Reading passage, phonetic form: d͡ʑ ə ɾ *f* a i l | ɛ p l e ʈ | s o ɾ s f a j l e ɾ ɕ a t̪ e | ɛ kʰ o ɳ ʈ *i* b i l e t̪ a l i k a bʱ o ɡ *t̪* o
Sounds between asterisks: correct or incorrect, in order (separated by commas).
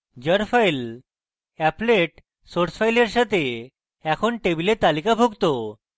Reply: correct, incorrect, correct